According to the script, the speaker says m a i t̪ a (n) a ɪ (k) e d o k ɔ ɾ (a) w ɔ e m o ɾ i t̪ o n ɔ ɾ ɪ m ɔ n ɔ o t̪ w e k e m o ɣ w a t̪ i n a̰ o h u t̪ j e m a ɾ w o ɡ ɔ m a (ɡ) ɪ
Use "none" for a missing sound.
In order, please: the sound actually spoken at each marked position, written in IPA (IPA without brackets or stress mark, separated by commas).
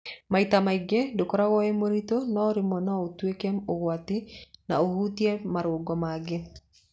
m, ɡ, a, ɡ